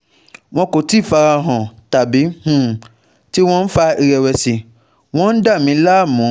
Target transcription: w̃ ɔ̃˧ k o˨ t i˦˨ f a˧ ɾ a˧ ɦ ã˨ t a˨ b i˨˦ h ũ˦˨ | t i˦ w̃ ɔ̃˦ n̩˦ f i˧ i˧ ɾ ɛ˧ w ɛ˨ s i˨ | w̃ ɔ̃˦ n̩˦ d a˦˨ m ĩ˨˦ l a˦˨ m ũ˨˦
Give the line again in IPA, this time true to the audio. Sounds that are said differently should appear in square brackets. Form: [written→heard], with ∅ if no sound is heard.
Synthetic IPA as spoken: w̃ ɔ̃˧ k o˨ t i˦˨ f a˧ ɾ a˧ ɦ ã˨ t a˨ b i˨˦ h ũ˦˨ | t i˦ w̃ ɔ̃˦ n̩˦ f [i˧→a˧] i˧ ɾ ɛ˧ w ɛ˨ s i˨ | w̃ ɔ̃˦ n̩˦ d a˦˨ m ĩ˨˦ l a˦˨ m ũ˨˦